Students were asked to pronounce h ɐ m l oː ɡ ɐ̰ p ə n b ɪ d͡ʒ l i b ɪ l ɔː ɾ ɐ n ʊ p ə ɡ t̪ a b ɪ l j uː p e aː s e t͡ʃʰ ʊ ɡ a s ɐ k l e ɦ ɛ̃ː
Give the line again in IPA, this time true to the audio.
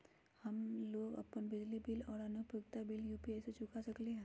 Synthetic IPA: h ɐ m l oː ɡ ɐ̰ p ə n b ɪ d͡ʒ l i b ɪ l ɔː ɾ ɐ n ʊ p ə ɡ t̪ a b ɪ l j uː p i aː s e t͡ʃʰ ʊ k a s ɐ k l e ɦ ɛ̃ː